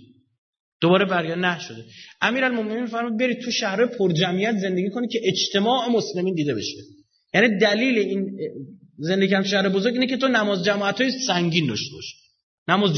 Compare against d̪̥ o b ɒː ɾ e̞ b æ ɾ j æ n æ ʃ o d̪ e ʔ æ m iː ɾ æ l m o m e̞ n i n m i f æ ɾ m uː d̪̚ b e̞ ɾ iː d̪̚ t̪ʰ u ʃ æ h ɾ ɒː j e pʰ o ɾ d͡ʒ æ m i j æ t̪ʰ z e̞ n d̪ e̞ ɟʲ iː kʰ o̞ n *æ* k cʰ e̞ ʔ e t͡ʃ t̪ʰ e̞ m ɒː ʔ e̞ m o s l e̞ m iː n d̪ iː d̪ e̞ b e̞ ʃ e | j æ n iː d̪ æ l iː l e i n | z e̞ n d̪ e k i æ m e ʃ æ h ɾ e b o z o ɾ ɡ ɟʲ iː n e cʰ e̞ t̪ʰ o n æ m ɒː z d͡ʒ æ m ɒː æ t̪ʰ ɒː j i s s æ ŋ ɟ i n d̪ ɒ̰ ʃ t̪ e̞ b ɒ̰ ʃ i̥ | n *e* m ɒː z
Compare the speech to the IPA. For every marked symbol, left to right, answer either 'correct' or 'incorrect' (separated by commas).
incorrect, incorrect